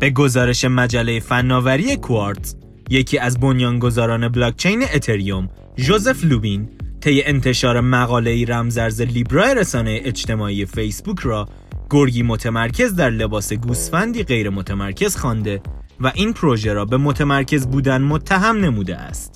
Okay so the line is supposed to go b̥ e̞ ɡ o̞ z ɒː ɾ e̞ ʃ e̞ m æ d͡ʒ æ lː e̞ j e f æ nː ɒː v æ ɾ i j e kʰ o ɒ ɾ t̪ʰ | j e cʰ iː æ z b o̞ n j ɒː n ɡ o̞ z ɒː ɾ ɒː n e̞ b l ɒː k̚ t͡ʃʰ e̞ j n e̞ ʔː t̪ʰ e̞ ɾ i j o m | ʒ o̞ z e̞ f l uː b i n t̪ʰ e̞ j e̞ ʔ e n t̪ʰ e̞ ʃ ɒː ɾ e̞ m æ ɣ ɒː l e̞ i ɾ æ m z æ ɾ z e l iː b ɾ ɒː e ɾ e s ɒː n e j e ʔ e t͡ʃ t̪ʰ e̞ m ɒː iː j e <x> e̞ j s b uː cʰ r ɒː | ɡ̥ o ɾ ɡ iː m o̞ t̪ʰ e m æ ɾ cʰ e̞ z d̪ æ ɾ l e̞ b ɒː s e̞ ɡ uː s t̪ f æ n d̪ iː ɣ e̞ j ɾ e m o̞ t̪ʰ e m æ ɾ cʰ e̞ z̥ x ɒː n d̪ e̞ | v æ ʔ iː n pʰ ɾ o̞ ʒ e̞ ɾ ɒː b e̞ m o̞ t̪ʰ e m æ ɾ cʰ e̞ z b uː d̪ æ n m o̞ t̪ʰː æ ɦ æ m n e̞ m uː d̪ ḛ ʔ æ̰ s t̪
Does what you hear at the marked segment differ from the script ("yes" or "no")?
yes